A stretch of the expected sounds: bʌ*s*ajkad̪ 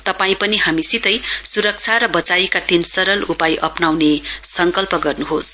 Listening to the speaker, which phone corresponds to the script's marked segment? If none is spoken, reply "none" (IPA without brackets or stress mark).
t͡s